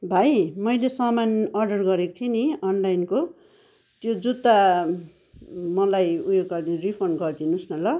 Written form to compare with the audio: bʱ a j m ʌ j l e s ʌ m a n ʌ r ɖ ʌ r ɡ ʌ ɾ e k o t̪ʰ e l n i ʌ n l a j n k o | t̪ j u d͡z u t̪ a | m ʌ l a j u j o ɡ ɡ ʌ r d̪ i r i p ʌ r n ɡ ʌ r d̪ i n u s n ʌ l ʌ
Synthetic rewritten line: bʱ a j m ʌ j l e s ʌ m a n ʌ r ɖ ʌ r ɡ ʌ ɾ e k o t̪ʰ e n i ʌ n l a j n k o | t̪ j o d͡z u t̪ a | m ʌ l a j u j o ɡ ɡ ʌ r d̪ i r i pʰ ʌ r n ɡ ʌ r d̪ i n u s n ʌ l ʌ